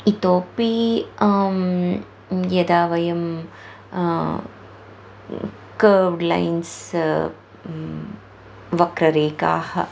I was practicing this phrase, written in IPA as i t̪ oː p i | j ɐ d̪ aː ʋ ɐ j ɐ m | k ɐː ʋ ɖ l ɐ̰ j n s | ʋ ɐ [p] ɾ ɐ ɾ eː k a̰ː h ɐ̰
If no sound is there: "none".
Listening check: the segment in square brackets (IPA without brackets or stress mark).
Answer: k